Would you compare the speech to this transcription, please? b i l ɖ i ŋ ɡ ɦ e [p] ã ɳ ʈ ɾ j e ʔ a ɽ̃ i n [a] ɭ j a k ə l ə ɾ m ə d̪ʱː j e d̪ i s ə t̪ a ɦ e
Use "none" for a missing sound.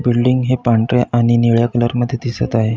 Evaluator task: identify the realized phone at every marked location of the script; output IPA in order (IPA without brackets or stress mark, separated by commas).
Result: p, i